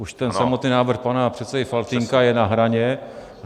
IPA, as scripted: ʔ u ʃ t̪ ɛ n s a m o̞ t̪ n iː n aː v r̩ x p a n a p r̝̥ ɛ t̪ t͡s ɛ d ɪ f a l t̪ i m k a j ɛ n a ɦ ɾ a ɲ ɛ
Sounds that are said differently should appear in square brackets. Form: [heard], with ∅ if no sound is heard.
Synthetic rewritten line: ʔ u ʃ t̪ ɛ n s a m o̞ t̪ n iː n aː v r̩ x p a n a p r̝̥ ɛ t̪ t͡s ɛ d ɪ f a l t̪ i [ŋ] k a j ɛ n a ɦ ɾ a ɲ ɛ